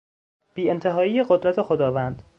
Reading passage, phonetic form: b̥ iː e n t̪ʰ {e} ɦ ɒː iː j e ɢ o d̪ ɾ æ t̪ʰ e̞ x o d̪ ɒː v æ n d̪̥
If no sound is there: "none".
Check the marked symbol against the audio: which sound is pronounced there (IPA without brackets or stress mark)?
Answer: e